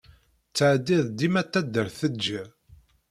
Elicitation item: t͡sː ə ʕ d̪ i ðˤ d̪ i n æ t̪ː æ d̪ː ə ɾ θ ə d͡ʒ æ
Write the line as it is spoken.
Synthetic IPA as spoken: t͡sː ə ʕ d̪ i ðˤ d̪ i m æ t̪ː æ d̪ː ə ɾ θ ə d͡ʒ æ